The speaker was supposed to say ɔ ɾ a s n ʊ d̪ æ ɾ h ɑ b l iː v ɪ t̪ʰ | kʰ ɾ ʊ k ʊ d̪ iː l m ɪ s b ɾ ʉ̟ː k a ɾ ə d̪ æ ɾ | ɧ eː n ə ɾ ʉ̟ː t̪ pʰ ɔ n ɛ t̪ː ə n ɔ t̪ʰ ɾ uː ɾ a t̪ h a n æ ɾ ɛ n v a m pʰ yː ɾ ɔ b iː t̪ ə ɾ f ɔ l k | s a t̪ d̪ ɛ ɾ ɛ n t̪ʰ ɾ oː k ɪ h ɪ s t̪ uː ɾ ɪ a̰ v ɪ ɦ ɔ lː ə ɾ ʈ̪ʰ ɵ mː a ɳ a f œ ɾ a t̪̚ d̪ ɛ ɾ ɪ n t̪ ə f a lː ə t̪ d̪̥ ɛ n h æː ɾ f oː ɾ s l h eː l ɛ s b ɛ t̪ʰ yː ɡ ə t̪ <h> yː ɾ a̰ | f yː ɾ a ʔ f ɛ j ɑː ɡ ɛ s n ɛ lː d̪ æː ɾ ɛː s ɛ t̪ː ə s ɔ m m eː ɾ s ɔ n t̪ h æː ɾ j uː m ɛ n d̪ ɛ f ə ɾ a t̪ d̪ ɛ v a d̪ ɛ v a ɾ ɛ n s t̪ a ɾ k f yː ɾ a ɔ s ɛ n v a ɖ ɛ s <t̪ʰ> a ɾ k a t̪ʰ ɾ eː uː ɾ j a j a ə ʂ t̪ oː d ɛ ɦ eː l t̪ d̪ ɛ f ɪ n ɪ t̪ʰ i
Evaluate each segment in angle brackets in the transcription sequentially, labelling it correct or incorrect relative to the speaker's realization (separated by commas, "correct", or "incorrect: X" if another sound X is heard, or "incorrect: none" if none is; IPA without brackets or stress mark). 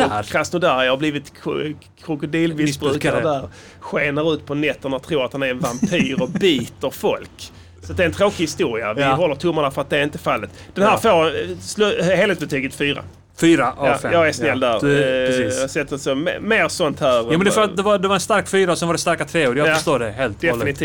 incorrect: f, incorrect: t̪